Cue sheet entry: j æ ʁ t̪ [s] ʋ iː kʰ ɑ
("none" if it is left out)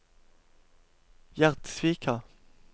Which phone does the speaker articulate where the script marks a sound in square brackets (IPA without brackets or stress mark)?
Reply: s